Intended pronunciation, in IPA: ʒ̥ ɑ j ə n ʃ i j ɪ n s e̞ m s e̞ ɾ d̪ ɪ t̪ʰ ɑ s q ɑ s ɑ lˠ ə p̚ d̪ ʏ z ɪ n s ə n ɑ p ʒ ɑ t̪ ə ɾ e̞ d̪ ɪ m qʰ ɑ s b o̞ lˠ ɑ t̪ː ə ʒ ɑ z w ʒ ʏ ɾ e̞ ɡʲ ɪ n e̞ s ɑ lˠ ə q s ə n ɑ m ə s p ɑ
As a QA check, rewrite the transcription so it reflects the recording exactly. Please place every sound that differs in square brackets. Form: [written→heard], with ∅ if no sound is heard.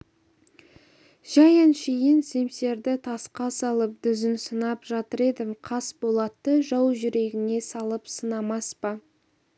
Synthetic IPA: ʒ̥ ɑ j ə n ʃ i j ɪ n s e̞ m s e̞ ɾ d̪ ɪ t̪ʰ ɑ s q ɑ s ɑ lˠ ə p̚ d̪ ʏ z ɪ n s ə n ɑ p ʒ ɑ t̪ ə ɾ e̞ d̪ ɪ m qʰ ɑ s b o̞ lˠ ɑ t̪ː ə ʒ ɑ [z→∅] w ʒ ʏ ɾ e̞ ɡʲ ɪ n e̞ s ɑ lˠ ə [q→p] s ə n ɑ m [ə→ɑ] s p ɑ